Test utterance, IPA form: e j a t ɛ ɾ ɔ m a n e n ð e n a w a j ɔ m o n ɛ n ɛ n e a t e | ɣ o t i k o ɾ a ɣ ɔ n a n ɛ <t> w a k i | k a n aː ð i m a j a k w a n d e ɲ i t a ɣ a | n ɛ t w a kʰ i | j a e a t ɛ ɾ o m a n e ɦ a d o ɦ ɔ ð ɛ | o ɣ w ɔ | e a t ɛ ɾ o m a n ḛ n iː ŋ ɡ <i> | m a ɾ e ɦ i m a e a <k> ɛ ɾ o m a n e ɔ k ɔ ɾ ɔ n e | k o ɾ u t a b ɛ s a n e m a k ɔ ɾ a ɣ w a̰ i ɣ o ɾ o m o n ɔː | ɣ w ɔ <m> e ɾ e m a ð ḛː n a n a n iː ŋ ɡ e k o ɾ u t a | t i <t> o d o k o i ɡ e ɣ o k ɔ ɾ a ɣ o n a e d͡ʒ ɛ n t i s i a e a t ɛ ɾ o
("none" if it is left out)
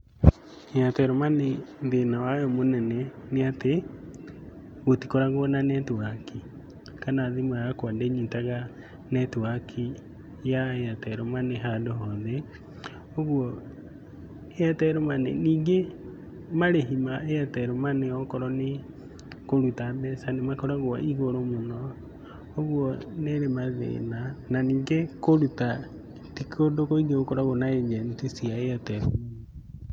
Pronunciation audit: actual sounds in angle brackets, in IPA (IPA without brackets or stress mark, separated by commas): t, e, t, n, k